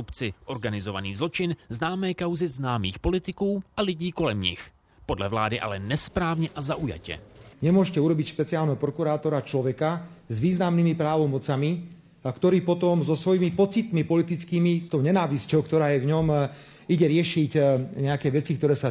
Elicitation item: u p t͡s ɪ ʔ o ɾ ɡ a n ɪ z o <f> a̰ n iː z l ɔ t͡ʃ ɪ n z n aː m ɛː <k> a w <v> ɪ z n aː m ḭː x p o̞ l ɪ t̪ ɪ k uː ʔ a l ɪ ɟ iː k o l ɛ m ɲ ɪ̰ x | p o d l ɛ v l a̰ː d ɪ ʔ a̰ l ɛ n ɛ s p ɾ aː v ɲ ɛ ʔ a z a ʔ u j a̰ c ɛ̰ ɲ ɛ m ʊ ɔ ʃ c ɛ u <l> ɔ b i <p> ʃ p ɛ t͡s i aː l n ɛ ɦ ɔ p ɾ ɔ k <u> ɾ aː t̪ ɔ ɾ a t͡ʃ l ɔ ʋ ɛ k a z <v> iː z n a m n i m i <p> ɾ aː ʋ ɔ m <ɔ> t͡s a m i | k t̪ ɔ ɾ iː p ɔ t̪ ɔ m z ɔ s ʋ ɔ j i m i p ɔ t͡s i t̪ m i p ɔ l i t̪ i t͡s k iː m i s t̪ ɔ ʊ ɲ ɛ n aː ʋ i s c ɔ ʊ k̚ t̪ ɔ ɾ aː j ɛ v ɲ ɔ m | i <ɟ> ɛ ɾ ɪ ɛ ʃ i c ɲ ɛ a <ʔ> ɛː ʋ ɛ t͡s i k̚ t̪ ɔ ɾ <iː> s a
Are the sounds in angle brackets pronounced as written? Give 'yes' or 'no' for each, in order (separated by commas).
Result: no, yes, no, no, no, yes, no, yes, yes, yes, no, no